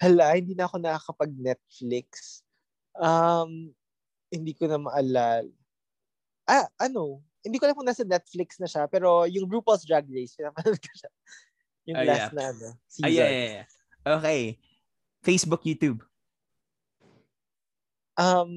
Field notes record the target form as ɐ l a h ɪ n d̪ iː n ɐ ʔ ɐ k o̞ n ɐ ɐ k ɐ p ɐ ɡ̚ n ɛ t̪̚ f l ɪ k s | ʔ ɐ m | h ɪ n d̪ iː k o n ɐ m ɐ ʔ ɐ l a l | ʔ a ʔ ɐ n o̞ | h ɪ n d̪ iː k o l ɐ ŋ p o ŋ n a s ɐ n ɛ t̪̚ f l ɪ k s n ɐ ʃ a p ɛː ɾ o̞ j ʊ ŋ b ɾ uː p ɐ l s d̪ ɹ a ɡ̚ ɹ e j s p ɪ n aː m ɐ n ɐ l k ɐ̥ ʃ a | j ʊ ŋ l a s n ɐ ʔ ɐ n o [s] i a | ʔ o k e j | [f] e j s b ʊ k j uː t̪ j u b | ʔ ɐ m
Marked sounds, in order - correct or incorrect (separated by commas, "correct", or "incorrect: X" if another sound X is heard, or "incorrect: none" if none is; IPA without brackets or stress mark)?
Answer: correct, correct